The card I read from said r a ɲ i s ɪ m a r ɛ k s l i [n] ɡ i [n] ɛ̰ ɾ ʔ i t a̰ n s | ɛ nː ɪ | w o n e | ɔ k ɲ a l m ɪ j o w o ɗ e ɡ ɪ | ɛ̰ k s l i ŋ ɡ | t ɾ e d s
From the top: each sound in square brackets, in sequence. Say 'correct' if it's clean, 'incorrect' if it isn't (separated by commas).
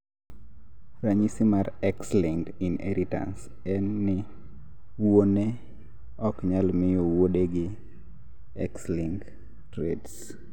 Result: incorrect, correct